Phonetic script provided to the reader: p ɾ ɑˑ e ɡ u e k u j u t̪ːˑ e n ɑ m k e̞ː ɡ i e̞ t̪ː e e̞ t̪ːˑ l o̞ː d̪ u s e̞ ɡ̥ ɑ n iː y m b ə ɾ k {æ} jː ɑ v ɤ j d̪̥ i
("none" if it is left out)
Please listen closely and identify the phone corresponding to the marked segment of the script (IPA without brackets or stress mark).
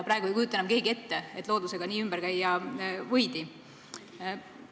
æ